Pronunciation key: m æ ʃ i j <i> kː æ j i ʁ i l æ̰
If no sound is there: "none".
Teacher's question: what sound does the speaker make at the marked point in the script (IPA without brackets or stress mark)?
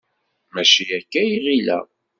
æ